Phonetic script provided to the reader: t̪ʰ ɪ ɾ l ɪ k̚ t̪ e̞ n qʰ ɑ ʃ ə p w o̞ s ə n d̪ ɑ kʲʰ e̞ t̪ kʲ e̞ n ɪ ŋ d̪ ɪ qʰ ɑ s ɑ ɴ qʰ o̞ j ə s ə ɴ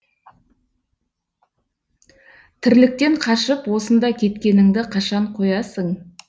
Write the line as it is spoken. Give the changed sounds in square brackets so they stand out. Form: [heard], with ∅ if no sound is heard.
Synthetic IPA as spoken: t̪ʰ ɪ ɾ l ɪ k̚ t̪ e̞ [ɴ] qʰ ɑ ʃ ə p w o̞ s ə n d̪ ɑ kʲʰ e̞ t̪ kʲ e̞ n ɪ ŋ d̪ ɪ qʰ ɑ [ʃ] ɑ ɴ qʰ o̞ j [ɑ] s ə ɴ